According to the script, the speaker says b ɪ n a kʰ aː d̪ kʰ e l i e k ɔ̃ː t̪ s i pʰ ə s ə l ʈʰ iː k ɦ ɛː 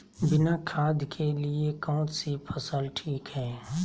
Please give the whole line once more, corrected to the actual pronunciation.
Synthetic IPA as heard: b ɪ n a kʰ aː d̪ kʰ e l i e k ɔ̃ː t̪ s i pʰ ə s ə l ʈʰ iː k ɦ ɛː

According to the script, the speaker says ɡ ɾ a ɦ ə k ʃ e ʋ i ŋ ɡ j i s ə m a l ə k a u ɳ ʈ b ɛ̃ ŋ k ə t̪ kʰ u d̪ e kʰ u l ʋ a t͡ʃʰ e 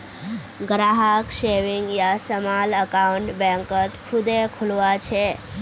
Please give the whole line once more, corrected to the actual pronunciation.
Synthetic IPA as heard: ɡ ɾ a ɦ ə k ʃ e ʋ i ŋ ɡ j a s ə m a l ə k a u ɳ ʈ b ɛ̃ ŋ k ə t̪ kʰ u d̪ e kʰ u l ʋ a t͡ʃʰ e

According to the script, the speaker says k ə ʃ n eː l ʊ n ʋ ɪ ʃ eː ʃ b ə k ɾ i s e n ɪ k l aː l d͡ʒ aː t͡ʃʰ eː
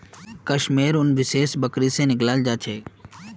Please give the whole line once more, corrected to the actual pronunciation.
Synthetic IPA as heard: k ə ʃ m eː ɾ ʊ n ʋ ɪ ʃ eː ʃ b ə k ɾ i s e n ɪ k l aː l d͡ʒ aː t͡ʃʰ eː

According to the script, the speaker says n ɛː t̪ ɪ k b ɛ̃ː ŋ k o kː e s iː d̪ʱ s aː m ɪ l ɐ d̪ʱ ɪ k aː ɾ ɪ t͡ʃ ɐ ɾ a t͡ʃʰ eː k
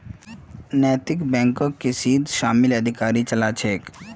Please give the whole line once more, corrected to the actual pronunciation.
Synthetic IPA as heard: n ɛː t̪ ɪ k b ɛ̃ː ŋ k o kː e s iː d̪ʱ ʃ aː m ɪ l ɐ d̪ʱ ɪ k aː ɾ i t͡ʃ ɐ l a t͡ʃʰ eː k

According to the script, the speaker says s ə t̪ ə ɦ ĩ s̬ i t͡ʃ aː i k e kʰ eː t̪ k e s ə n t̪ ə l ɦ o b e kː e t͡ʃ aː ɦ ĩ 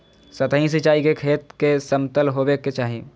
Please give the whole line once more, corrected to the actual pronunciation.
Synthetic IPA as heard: s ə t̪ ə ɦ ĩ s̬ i t͡ʃ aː i k e kʰ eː t̪ k e s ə m t̪ ə l ɦ o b e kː e t͡ʃ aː ɦ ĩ

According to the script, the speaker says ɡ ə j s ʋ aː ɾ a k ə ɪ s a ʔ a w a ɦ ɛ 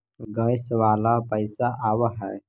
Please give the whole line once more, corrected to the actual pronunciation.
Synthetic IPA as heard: ɡ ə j s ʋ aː l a p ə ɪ s a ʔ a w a ɦ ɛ

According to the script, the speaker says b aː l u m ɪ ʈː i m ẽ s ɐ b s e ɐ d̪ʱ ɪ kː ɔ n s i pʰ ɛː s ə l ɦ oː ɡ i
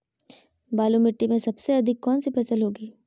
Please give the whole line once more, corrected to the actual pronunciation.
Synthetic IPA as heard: b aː l u m ɪ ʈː i m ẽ s ɐ b s e ɐ d̪ʱ ɪ kː ɔː n s i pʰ ɛː s ə l ɦ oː ɡ iː

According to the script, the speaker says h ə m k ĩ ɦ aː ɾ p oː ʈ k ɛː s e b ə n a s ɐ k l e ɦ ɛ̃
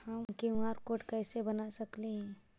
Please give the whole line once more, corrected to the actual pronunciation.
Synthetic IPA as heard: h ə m k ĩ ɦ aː ɾ k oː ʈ k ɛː s e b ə n a s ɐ k l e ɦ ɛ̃

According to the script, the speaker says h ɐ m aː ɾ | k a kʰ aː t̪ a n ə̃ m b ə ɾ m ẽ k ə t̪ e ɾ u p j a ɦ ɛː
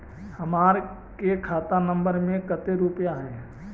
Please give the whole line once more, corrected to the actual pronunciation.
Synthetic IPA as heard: h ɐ m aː ɾ | k e kʰ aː t̪ a n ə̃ m b ə ɾ m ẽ k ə t̪ e ɾ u p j a ɦ ɛː

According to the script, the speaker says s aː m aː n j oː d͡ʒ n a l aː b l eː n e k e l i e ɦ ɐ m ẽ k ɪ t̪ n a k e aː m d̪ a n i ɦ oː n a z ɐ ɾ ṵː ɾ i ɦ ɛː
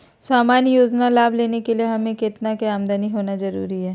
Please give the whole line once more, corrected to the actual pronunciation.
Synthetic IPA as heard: s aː m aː n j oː d͡ʒ n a l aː b l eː n e k e l i e ɦ ɐ m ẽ k ɪ t̪ n a k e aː m d̪ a n i ɦ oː n a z ɐ ɾ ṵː ɾ i ɦ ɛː

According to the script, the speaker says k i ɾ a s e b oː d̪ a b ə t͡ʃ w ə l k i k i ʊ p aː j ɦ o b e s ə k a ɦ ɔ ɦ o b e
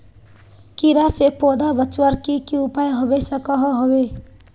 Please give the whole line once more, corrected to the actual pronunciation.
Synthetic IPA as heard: k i ɾ a s e p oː d̪ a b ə t͡ʃ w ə ɾ k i k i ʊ p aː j ɦ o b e s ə k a ɦ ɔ ɦ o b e

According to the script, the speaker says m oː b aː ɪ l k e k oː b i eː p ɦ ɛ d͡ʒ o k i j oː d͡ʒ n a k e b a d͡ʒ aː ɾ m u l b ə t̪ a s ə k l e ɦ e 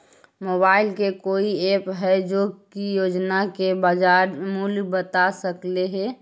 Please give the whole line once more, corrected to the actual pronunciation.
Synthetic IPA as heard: m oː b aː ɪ l k e k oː i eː p ɦ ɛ d͡ʒ o k i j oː d͡ʒ n a k e b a d͡ʒ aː ɾ m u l b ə t̪ a s ə k l e ɦ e

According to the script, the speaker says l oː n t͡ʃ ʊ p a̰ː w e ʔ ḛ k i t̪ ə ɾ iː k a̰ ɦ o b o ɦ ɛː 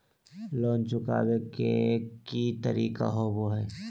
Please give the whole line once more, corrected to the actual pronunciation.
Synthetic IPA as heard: l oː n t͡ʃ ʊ k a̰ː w e k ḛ k i t̪ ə ɾ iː k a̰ ɦ o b o ɦ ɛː

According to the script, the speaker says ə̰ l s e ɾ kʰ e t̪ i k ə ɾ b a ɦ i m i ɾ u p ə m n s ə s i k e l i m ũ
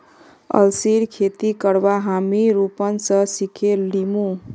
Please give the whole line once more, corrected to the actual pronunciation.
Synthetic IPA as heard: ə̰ l s i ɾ kʰ e t̪ i k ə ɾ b a ɦ a m i ɾ u p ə n s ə s i kʰ e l i m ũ

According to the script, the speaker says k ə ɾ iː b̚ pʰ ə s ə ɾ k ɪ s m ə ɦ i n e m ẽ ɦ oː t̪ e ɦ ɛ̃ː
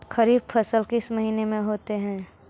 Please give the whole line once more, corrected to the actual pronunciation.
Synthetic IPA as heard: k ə ɾ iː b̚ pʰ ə s ə l k ɪ s m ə ɦ iː n e m ẽ ɦ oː t̪ e ɦ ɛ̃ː

